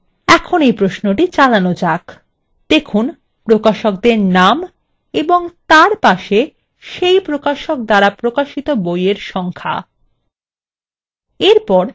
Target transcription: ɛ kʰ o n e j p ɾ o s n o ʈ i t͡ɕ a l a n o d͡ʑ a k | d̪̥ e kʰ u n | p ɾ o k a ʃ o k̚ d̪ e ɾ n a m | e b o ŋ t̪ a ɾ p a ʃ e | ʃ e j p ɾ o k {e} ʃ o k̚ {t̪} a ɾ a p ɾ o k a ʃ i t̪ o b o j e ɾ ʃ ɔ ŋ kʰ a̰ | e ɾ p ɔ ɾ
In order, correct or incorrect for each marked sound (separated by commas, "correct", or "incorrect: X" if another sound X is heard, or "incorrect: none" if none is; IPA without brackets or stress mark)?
incorrect: a, incorrect: d̪